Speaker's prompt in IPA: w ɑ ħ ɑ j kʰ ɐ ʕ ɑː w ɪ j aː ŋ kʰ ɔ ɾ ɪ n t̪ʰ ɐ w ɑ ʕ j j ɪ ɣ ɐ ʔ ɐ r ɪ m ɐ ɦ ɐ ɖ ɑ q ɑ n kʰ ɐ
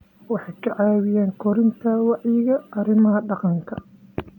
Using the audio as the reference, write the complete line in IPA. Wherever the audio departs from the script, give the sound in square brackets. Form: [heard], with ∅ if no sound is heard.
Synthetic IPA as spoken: w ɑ ħ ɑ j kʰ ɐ ʕ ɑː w ɪ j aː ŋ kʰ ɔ ɾ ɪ n t̪ʰ ɐ w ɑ ʕ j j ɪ ɣ ɐ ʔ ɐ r ɪ m ɐ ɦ ɐ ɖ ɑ q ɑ [ŋ] kʰ ɐ